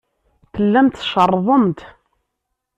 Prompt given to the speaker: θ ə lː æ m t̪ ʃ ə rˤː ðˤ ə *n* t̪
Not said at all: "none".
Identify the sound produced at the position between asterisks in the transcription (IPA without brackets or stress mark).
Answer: m